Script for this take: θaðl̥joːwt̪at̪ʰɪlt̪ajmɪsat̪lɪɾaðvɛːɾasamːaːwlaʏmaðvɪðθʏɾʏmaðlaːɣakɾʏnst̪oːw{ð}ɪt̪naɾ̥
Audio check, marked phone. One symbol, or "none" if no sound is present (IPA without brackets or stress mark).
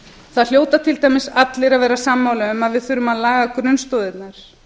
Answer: ð